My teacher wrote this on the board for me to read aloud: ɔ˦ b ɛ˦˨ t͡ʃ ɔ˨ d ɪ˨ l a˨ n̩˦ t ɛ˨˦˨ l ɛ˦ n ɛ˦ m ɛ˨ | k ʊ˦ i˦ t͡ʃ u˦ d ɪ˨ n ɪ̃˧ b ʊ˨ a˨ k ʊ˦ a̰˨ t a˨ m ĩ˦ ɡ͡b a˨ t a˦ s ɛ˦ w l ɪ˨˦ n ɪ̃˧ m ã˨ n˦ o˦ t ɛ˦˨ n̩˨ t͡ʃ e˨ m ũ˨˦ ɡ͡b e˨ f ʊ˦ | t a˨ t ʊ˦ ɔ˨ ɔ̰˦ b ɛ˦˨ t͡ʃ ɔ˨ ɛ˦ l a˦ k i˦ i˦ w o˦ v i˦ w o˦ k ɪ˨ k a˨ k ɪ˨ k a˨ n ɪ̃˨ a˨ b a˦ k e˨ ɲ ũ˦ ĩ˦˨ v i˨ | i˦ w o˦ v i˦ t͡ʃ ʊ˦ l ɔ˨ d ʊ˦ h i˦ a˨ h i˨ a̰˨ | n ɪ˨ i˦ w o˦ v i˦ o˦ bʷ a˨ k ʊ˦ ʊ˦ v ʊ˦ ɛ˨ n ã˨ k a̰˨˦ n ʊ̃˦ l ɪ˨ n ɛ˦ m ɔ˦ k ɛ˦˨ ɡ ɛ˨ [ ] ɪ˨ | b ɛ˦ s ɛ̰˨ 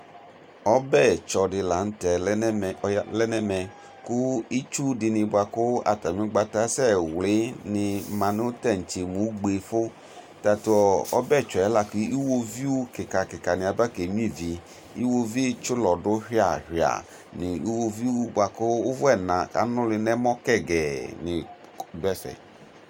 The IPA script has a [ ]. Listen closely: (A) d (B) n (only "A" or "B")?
B